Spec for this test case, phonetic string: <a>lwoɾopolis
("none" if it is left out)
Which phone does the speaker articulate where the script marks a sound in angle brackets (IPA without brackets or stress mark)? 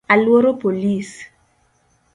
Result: a